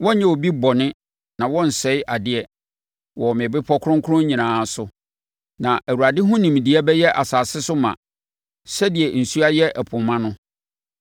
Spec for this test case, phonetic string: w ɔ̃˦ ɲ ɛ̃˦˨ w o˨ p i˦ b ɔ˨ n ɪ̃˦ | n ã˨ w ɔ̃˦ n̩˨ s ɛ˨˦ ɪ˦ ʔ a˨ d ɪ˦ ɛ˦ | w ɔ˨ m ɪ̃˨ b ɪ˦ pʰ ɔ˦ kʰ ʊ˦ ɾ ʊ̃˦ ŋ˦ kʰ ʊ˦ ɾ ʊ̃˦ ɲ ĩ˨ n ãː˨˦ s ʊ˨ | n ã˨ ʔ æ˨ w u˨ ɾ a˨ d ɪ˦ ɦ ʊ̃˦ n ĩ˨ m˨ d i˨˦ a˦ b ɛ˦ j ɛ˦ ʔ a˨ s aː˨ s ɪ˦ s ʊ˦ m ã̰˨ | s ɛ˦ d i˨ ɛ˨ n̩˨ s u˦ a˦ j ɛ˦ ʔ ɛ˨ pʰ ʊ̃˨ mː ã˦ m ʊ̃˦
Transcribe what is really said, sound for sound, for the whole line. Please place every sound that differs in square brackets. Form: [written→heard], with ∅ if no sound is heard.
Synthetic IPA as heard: w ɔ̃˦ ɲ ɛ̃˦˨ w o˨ [p→b] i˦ b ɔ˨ n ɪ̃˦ | n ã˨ w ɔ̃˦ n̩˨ s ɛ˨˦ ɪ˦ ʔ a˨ d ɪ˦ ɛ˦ | w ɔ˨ m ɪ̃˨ b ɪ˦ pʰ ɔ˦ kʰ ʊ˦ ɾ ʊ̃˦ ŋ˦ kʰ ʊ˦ ɾ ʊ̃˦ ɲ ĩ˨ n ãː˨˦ s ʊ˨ | n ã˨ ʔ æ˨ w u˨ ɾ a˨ d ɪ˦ ɦ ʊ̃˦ n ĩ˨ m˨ d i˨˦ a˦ b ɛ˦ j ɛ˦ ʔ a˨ s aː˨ s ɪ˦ s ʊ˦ m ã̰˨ | s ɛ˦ d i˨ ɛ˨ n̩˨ s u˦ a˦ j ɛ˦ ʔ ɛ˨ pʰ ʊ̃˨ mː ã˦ [m→n] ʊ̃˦

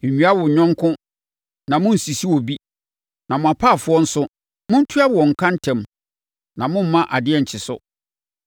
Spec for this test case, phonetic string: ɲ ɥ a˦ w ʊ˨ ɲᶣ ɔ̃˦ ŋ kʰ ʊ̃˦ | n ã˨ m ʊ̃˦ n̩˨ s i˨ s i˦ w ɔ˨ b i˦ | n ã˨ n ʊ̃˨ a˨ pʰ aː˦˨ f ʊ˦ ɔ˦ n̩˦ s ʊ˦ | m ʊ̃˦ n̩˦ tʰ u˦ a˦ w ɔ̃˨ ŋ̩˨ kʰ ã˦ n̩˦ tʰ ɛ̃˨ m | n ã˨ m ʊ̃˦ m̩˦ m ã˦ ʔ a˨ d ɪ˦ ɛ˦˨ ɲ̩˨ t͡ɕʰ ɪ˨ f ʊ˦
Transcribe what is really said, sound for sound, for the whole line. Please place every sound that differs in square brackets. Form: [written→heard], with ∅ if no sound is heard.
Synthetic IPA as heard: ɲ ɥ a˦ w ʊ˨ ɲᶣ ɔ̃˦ ŋ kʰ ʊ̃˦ | n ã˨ m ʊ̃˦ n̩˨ s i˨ s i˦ w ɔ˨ b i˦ | n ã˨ [n→m] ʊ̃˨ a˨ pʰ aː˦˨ f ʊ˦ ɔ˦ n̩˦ s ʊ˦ | m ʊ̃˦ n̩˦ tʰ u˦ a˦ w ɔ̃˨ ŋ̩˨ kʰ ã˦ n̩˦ tʰ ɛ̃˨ m | n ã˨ m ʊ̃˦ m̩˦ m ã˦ ʔ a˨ d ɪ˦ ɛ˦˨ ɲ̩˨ t͡ɕʰ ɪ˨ [f→s] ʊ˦

